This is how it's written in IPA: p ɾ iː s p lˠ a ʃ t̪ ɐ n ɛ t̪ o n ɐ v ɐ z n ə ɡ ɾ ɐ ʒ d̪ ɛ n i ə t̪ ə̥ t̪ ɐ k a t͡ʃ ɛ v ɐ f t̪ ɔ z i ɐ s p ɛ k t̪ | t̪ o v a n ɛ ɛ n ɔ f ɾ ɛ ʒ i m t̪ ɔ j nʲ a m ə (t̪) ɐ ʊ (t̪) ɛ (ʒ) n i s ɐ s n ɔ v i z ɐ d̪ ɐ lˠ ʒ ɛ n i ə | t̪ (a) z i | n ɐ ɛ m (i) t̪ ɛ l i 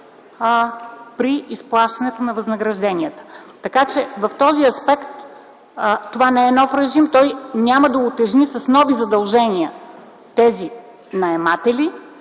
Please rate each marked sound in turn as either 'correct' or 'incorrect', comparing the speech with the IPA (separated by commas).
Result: incorrect, correct, correct, incorrect, incorrect